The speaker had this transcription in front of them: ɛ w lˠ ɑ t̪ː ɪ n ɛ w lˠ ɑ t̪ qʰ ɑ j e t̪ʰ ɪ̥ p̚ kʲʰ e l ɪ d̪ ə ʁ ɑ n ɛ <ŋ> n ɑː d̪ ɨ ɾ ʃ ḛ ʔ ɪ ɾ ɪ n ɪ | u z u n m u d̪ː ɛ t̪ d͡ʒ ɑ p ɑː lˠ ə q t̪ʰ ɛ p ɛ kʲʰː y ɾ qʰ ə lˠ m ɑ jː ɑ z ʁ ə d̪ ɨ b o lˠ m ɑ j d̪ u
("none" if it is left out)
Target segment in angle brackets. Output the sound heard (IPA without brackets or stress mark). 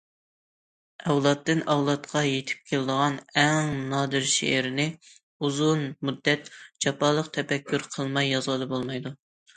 ŋ